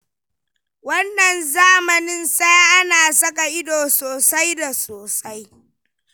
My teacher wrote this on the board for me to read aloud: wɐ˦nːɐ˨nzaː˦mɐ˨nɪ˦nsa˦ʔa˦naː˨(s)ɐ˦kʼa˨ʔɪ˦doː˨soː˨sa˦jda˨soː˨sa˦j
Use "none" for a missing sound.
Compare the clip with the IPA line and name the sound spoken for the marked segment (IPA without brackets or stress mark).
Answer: s